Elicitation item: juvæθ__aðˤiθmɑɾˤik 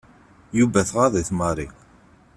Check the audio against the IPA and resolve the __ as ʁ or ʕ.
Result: ʁ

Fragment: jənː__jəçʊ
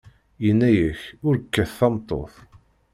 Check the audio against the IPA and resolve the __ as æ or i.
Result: æ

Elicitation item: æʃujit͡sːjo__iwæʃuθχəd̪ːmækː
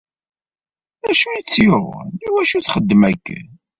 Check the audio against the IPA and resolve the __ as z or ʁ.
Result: ʁ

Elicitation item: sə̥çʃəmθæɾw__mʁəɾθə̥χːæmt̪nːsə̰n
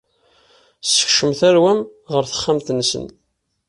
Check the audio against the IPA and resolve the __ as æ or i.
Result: æ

